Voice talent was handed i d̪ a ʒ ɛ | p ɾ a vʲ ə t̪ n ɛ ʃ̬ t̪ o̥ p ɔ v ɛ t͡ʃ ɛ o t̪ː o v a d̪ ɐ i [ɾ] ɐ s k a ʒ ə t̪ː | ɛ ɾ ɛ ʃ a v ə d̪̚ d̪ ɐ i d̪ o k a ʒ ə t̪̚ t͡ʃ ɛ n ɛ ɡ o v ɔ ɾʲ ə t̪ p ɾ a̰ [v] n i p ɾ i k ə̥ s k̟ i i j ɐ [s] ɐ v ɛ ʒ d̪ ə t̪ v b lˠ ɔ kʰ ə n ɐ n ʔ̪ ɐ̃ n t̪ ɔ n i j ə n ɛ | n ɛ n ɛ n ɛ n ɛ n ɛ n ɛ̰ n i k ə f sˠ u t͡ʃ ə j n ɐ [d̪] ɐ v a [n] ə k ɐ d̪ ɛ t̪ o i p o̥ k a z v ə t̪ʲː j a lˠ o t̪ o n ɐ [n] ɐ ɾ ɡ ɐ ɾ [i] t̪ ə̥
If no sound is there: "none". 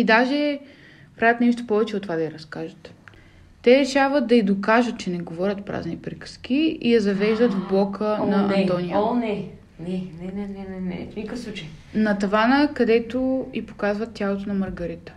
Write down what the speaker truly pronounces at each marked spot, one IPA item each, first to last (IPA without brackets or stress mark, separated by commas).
ɾ, z, z, t̪, n, m, i